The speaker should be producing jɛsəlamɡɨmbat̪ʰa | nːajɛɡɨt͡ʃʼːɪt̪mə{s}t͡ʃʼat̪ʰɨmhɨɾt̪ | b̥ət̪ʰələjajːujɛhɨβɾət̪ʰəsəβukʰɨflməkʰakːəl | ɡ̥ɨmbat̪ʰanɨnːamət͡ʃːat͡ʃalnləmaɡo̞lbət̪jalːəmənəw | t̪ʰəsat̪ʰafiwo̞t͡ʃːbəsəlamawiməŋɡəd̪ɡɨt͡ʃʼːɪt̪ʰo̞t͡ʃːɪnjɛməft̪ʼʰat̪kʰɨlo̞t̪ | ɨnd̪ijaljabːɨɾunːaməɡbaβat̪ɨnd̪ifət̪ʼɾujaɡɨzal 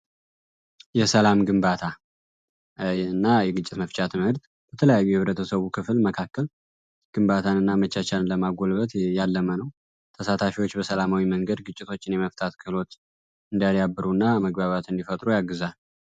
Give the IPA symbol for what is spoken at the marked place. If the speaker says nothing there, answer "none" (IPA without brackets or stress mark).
f